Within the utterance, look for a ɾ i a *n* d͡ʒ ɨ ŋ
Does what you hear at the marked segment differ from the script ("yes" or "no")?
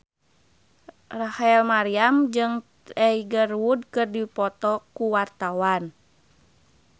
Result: yes